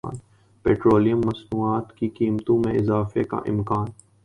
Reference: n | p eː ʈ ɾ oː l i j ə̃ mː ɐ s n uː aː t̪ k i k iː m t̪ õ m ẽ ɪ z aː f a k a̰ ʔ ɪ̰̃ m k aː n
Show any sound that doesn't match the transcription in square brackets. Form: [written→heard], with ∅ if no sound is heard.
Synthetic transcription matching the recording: n | p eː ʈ ɾ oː l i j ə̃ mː ɐ s n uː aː t̪ k i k iː m t̪ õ m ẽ ɪ z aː f [a→e] k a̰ ʔ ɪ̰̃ m k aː n

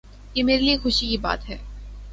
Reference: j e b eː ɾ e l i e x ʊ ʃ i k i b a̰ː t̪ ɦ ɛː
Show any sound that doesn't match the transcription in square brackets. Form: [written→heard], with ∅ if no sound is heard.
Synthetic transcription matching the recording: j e [b→m] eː ɾ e l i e x ʊ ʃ i k i b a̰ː t̪ ɦ ɛː

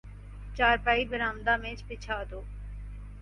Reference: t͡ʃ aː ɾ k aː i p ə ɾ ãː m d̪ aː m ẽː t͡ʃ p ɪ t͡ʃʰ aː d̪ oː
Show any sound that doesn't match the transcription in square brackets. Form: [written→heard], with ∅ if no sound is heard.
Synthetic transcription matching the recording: t͡ʃ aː ɾ [k→p] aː i [p→b] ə ɾ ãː m d̪ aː m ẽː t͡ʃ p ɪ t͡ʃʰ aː d̪ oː

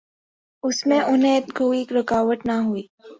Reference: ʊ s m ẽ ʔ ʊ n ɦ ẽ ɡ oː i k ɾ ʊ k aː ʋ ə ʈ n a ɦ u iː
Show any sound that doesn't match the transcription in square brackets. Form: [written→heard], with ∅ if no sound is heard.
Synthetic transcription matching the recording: ʊ s m ẽ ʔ ʊ n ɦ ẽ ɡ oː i k ɾ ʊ k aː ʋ ə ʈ n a ɦ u iː

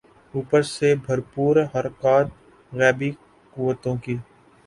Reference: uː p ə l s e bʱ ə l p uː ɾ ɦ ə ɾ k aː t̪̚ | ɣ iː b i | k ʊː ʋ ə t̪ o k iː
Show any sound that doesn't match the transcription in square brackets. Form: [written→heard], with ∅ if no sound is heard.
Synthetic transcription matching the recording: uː p ə [l→ɾ] s e bʱ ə [l→ɾ] p uː ɾ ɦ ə ɾ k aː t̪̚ | ɣ [iː→ɛː] b i | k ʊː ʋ ə t̪ [o→õ] k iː

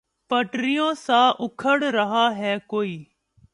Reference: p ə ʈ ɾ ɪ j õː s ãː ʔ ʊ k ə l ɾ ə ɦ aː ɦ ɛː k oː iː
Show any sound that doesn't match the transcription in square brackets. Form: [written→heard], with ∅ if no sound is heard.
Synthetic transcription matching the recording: p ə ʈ ɾ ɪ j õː s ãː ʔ ʊ [k→kʰ] ə [l→ɽ] ɾ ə ɦ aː ɦ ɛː k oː iː

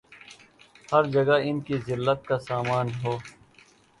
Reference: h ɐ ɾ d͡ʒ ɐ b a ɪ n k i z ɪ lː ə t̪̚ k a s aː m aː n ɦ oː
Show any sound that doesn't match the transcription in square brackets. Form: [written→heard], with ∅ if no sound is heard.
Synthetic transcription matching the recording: h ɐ ɾ d͡ʒ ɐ [b→ɡ] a ɪ n k i z ɪ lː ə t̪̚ k a s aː m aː n ɦ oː

